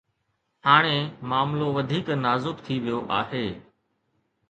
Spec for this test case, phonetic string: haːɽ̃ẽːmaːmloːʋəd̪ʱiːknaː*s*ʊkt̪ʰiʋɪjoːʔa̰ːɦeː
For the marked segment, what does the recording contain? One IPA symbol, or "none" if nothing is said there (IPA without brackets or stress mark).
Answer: z